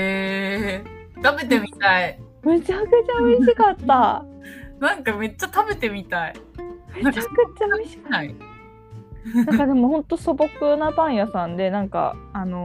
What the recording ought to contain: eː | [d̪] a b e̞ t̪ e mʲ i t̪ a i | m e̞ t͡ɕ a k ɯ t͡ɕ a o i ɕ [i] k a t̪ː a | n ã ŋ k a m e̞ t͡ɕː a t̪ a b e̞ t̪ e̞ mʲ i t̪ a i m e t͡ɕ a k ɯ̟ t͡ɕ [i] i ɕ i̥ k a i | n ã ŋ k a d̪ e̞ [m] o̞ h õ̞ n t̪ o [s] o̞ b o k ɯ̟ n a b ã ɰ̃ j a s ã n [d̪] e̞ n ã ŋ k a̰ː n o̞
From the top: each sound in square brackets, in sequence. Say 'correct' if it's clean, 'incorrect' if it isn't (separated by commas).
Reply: incorrect, correct, incorrect, correct, correct, correct